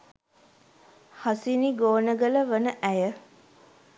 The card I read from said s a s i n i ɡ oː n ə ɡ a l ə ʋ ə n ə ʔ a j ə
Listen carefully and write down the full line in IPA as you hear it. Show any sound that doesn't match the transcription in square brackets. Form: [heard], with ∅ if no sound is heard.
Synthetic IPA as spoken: [h] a s i n i ɡ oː n ə ɡ [ə] l ə ʋ ə n ə ʔ [æ] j ə